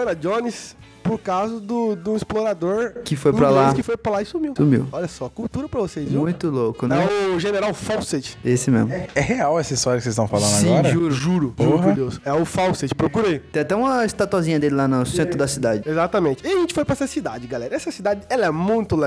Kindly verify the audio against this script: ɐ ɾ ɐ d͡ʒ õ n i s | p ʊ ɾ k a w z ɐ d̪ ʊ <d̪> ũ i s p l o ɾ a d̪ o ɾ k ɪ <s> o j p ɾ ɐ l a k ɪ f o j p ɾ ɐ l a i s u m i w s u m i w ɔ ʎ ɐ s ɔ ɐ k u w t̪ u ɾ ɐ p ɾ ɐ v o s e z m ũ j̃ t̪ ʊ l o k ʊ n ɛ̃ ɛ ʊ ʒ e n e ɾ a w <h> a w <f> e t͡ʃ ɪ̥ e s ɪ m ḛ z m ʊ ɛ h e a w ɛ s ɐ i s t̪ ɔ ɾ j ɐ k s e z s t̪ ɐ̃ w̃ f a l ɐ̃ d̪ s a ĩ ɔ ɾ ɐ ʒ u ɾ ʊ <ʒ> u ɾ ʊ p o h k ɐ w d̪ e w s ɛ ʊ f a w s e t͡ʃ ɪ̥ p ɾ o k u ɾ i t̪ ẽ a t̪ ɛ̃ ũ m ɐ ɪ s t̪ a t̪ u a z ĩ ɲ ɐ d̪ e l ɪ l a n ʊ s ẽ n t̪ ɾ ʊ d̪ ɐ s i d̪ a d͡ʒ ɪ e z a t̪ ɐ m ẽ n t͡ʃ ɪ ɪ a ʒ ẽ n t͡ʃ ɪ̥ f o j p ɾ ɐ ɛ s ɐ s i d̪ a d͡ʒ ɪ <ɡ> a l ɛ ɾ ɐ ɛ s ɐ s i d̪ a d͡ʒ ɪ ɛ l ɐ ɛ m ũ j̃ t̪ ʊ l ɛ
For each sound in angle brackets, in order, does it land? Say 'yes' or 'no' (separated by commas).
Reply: yes, no, no, no, yes, yes